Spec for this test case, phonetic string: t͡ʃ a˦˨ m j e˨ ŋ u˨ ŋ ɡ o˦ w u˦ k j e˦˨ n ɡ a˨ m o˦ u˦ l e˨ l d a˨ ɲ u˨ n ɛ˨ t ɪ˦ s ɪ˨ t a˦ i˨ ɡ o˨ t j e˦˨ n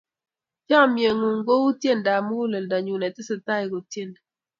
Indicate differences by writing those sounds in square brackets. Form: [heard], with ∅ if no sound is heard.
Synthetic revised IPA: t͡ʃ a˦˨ m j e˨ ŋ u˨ ŋ ɡ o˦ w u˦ [t] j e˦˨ n [d] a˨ m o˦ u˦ l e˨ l d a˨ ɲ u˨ n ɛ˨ t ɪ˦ s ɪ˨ t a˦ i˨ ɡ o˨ t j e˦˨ n